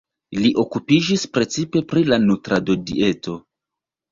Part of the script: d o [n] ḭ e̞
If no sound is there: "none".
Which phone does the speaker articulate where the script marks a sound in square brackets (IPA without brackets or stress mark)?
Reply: d